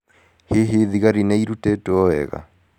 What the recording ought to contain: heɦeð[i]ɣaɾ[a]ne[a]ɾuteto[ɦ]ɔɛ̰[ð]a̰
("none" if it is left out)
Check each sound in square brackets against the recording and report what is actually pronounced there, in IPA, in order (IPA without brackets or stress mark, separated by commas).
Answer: i, i, i, none, ɣ